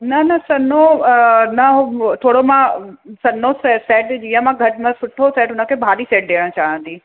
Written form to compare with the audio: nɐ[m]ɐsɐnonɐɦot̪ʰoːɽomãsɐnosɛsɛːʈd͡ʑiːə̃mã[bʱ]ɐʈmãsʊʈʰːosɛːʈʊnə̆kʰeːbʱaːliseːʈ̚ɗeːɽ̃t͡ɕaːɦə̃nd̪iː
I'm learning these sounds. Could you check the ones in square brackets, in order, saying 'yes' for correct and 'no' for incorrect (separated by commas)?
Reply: no, no